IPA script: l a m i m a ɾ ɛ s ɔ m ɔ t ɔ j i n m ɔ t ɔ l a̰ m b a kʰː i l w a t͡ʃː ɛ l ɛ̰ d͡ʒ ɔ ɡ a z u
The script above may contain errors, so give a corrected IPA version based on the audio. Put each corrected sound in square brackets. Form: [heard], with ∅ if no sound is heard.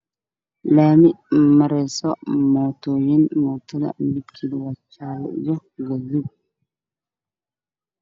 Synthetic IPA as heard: l a m i m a ɾ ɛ s ɔ m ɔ t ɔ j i n m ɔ t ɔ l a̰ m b [i] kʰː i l w a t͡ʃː [a] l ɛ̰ d͡ʒ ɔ ɡ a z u